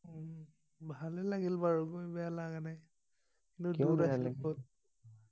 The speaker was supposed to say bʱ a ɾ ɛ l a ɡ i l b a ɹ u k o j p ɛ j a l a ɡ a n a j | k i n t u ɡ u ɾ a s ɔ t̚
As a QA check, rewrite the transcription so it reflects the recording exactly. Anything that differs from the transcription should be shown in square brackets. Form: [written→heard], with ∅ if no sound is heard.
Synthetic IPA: bʱ a [ɾ→l] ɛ l a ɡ i l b a ɹ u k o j [p→b] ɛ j a l a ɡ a n a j | k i n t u [ɡ→d] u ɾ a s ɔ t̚

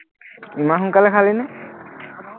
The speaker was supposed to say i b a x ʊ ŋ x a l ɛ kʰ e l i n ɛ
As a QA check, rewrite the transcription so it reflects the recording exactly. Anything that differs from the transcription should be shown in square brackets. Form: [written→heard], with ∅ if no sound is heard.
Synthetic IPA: i [b→m] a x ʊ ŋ [x→k] a l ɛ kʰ [e→a] l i n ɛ

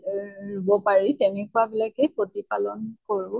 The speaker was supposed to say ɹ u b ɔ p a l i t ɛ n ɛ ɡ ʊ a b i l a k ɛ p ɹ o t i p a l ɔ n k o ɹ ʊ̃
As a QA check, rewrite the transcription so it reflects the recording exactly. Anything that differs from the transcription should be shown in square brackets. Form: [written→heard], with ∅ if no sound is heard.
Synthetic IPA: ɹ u b ɔ p a [l→ɹ] i t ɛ n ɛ [ɡ→k] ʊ a b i l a k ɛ p ɹ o t i p a l ɔ n k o ɹ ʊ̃

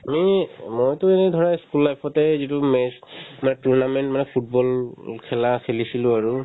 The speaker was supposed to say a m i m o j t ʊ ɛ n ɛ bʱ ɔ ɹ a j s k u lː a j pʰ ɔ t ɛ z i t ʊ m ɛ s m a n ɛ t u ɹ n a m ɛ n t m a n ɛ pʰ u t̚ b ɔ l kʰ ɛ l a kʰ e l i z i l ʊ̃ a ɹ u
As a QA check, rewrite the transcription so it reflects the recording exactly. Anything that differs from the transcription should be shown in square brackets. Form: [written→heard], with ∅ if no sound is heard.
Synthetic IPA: a m i m o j t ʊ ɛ n ɛ [bʱ→dʱ] ɔ ɹ a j s k u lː a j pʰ ɔ t ɛ z i t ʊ m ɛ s m a n ɛ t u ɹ n a m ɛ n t m a n ɛ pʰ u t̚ b ɔ l kʰ ɛ l a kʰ e l i [z→s] i l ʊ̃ a ɹ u

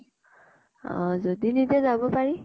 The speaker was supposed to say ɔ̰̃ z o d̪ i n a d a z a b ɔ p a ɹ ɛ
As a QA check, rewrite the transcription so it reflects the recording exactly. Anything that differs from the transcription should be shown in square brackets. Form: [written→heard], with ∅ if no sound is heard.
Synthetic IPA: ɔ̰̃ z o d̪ i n [a→i] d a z a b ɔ p a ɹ [ɛ→i]

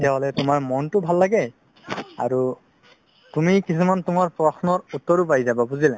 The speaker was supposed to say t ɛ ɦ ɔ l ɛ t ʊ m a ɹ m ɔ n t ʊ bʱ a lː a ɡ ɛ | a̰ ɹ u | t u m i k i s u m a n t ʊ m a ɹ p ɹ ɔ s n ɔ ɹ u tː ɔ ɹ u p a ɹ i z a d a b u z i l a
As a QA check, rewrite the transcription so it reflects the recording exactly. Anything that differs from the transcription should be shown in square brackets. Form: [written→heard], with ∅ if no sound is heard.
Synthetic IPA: t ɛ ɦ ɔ l ɛ t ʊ m a ɹ m ɔ n t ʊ bʱ a lː a ɡ ɛ | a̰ ɹ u | t u m i k i s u m a n t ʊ m a ɹ p ɹ ɔ s n ɔ ɹ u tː ɔ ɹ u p a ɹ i z a [d→b] a b u z i l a

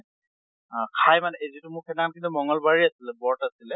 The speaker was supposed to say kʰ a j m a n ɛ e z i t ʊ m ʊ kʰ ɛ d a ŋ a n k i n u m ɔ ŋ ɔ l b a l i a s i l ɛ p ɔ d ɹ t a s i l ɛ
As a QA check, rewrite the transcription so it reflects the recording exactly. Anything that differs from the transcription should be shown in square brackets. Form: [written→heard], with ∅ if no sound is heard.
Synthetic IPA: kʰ a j m a n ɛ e z i t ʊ m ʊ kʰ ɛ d a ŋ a n k i n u m ɔ ŋ ɔ l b a [l→ɹ] i a s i l ɛ [p→b] ɔ [d→∅] ɹ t a s i l ɛ

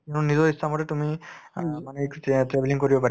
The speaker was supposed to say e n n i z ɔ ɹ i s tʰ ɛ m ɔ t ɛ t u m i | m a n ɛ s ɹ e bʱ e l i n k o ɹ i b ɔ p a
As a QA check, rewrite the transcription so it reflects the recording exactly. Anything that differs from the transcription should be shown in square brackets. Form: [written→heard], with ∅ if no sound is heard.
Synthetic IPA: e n n i z ɔ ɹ i s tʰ [ɛ→a] m ɔ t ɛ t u m i | m a n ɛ [s→t] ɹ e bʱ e l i [n→ŋ] k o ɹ i b ɔ p a

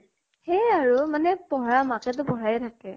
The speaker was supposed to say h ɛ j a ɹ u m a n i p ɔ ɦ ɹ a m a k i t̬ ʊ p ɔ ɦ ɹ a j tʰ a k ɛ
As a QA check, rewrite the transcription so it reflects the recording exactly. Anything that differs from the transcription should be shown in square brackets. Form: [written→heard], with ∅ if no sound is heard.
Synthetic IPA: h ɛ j a ɹ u m a n [i→ɛ] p ɔ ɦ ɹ a m a k [i→ɛ] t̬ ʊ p ɔ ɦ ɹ a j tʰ a k ɛ

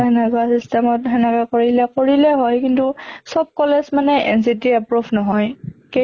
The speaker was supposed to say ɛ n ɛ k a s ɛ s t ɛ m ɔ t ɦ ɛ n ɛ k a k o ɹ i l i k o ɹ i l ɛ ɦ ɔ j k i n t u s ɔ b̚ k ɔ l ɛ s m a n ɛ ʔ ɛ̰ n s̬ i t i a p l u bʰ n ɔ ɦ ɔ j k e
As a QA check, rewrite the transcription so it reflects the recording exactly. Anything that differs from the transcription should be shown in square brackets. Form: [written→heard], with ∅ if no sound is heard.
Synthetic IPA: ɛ n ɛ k a s [ɛ→i] s t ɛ m ɔ t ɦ ɛ n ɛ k a k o ɹ i l [i→ɛ] k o ɹ i l ɛ ɦ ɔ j k i n t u s ɔ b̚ k ɔ l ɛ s m a n ɛ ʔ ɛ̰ n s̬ i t i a p [l→ɹ] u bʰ n ɔ ɦ ɔ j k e

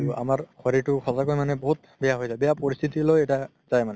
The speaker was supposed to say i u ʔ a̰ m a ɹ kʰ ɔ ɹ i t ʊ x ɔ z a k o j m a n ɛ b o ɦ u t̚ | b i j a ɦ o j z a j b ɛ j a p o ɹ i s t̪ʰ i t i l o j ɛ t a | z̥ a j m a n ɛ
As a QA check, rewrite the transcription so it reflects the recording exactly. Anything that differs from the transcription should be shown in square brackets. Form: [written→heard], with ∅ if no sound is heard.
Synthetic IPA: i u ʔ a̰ m a ɹ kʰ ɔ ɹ i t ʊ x ɔ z a k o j m a n ɛ b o ɦ u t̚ | b [i→ɛ] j a ɦ o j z a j b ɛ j a p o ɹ i s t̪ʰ i t i l o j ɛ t a | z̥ a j m a n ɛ

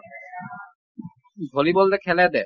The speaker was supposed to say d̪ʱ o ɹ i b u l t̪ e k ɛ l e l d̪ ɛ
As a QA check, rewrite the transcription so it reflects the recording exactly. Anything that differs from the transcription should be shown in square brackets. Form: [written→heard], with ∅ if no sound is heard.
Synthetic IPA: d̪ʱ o [ɹ→l] i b [u→o] l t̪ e [k→kʰ] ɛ l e [l→∅] d̪ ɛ

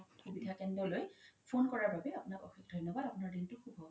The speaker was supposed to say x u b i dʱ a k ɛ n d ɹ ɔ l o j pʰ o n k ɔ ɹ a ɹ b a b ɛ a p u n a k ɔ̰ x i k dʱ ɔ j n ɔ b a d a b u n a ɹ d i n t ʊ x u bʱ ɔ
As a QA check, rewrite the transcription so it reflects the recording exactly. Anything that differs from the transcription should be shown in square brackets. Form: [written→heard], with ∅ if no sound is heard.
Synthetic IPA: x u b i dʱ a k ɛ n d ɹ ɔ l o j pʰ o n k ɔ ɹ a ɹ b a b ɛ a p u n a k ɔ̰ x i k dʱ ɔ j n ɔ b a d a [b→p] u n a ɹ d i n t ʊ x u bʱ ɔ

